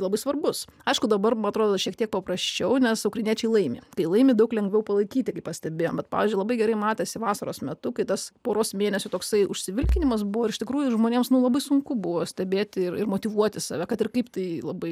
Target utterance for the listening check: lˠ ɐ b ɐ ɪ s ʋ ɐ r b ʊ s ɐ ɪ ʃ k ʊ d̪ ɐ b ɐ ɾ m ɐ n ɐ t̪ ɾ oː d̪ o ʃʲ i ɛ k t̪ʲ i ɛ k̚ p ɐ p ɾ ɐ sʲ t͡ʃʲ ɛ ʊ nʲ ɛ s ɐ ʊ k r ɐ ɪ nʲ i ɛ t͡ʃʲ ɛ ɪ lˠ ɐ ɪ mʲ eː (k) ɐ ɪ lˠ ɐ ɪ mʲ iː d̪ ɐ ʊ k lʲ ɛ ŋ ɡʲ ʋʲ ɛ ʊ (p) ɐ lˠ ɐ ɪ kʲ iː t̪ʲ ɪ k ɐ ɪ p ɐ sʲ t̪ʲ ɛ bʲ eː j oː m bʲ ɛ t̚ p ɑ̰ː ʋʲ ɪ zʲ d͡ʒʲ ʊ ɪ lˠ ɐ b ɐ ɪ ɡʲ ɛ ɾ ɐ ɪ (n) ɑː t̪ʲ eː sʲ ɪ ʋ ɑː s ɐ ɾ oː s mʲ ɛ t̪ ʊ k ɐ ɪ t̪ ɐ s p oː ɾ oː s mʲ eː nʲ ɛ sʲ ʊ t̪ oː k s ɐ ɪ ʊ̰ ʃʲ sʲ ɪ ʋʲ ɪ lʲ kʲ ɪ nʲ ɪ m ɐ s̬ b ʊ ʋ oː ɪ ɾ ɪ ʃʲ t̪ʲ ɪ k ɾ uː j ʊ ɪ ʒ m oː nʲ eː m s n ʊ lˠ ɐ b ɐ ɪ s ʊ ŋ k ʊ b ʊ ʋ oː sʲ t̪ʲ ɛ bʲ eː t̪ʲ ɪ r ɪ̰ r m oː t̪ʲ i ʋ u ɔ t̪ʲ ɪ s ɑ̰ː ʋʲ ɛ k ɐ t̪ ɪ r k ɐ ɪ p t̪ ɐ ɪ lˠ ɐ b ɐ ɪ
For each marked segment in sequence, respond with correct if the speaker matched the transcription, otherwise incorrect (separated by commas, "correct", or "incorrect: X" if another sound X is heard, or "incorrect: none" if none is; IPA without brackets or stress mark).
correct, correct, incorrect: m